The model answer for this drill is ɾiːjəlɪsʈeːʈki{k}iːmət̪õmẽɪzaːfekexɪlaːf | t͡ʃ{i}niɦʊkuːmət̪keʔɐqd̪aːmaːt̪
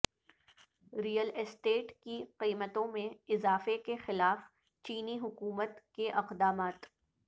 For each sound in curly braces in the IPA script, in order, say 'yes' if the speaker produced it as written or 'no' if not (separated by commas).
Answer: no, no